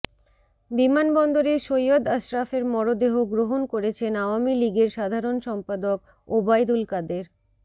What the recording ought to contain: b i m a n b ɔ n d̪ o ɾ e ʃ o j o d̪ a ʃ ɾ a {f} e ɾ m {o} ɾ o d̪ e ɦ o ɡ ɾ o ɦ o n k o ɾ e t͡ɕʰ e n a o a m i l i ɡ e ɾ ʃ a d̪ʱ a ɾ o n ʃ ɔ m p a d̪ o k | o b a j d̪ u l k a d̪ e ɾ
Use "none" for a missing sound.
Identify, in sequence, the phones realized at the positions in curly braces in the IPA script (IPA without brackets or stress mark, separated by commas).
f, ɔ